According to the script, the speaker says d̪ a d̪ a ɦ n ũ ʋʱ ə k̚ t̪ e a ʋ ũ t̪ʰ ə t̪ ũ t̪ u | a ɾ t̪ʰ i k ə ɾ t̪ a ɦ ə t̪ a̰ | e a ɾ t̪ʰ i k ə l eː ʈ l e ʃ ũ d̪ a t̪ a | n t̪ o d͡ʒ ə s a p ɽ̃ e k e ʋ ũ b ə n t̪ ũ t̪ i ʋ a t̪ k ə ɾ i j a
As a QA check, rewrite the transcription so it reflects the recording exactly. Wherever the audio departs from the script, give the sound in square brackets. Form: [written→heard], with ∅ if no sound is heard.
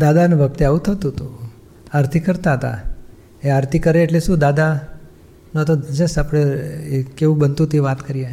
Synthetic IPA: d̪ a d̪ a [ɦ→∅] n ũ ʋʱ ə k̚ t̪ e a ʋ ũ t̪ʰ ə t̪ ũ t̪ u | a ɾ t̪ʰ i k ə ɾ t̪ a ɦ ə t̪ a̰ | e a ɾ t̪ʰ i k ə [l→ɾ] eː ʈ l e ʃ ũ d̪ a [t̪→d̪] a | n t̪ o d͡ʒ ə s a p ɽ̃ e k e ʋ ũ b ə n t̪ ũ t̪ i ʋ a t̪ k ə ɾ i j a